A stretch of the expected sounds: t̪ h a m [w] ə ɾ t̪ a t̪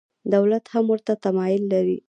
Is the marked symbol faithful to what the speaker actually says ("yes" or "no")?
yes